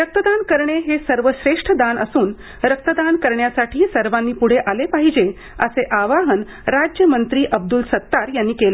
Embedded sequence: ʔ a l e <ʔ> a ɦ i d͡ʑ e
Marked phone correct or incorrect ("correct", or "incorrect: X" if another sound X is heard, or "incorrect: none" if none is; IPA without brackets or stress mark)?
incorrect: p